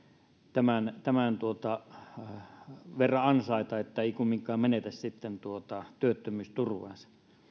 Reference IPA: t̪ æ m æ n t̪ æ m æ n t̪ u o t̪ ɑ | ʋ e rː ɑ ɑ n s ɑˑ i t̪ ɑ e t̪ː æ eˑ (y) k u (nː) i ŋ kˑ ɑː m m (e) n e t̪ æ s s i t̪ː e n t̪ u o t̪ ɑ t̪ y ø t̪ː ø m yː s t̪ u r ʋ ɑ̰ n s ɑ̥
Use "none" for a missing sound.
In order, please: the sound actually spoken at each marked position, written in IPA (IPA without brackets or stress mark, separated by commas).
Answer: i, mː, e